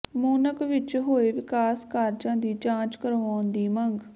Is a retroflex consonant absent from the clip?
yes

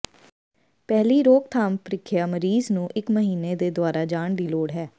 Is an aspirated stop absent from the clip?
no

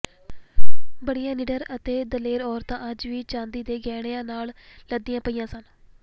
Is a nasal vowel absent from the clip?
no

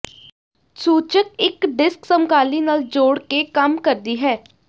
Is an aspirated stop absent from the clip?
yes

